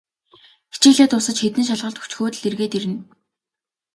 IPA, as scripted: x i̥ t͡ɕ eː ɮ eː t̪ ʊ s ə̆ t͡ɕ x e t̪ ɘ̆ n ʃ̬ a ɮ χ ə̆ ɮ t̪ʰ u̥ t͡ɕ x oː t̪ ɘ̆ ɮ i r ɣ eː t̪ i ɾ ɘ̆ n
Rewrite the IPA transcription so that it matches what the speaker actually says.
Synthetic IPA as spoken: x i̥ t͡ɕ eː ɮ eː t̪ ʊ s ə̆ t͡ɕ x e t̪ ɘ̆ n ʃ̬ a ɮ ʁ ə̆ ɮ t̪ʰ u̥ t͡ɕ x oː t̪ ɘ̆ ɮ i r ɣ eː t̪ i ɾ ɘ̆ n